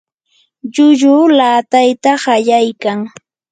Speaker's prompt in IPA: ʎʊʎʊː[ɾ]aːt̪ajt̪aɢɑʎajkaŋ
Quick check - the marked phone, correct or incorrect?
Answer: incorrect